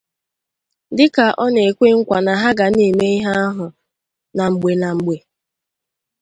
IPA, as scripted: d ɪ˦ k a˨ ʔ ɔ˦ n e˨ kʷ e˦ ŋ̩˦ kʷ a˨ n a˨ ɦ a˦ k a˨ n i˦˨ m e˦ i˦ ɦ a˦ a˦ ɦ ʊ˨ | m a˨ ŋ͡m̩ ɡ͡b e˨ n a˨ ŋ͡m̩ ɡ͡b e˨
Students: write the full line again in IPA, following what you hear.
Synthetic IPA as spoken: d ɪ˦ k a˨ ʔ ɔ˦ n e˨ kʷ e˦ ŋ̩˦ kʷ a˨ n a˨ ɦ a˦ ɡ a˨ n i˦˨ m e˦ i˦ ɦ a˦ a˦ ɦ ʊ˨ | n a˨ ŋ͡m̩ ɡ͡b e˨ n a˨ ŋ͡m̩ ɡ͡b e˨